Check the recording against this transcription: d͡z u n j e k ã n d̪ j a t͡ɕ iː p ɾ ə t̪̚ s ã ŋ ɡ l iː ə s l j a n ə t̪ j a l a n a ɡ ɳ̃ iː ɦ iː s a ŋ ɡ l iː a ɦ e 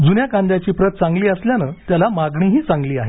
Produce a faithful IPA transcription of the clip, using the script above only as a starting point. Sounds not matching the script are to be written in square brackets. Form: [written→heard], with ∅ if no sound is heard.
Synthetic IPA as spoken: d͡z u n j [e→a] k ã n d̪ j a t͡ɕ iː p ɾ ə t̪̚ [s→t͡s] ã ŋ ɡ l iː ə s l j a n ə t̪ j a l a [n→m] a ɡ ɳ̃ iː ɦ iː [s→t͡s] a ŋ ɡ l iː a ɦ e

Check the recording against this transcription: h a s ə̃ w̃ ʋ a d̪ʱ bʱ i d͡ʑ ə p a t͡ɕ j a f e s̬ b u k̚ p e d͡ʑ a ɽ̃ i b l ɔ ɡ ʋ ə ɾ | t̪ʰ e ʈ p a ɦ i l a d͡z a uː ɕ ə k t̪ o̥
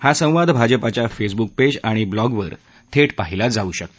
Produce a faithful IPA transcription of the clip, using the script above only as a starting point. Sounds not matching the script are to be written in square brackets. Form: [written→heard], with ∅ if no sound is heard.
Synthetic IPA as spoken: h a s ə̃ w̃ ʋ a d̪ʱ bʱ [i→a] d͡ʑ ə p a t͡ɕ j a f e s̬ b u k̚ p e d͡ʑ a ɽ̃ i b l ɔ ɡ ʋ ə ɾ | t̪ʰ e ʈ p a ɦ i l a d͡z a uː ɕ ə k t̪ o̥

